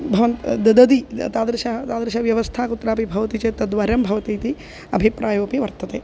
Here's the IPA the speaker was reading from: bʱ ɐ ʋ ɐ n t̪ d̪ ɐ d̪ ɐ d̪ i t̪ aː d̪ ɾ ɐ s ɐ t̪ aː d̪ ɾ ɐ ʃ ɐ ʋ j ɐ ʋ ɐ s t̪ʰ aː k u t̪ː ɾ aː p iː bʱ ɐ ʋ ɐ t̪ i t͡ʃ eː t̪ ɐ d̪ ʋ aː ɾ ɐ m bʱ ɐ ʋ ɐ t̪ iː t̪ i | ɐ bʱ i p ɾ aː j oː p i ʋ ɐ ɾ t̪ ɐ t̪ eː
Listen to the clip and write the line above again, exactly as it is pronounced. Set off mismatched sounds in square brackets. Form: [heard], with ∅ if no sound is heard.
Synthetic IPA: bʱ ɐ ʋ ɐ n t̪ d̪ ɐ d̪ ɐ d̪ i t̪ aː d̪ ɾ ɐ [ʃ] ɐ t̪ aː d̪ ɾ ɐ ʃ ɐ ʋ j ɐ ʋ ɐ s t̪ʰ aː k u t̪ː ɾ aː p [i] bʱ ɐ ʋ ɐ t̪ i t͡ʃ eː t̪ ɐ d̪ ʋ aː ɾ ɐ m bʱ ɐ ʋ ɐ t̪ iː t̪ i | ɐ bʱ i p ɾ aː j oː p i ʋ ɐ ɾ t̪ ɐ t̪ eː